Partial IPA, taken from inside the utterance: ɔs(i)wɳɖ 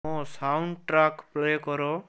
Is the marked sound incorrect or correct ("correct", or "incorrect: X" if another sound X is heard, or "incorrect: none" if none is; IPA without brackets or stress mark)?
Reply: incorrect: a